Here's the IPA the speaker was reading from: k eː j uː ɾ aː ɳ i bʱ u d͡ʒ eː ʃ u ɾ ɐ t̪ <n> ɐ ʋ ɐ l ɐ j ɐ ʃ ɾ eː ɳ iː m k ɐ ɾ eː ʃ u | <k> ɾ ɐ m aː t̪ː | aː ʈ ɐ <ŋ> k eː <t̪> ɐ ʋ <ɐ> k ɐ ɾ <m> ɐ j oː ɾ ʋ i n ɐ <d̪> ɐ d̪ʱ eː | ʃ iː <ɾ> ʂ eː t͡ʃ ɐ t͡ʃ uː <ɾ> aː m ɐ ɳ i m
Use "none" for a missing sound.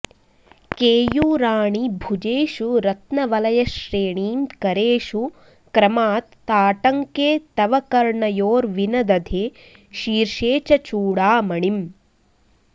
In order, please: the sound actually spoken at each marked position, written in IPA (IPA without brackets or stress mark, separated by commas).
n, k, ŋ, t̪, ɐ, ɳ, d̪, ɾ, ɽ